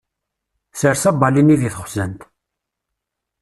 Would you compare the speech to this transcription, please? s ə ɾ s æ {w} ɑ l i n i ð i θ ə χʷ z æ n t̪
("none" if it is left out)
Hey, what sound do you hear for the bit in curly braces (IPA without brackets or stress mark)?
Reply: b